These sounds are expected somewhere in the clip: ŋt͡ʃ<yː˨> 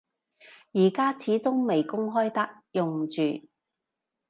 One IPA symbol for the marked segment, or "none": yː˨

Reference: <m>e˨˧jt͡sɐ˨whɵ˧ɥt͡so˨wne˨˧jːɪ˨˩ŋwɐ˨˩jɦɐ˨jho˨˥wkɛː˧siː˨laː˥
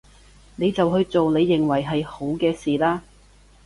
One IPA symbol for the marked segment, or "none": n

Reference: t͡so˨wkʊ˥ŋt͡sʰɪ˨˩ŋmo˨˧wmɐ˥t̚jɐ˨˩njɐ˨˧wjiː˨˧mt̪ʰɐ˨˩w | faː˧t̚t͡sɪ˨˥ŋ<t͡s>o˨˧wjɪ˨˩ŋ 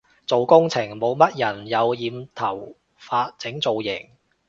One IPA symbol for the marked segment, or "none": t͡s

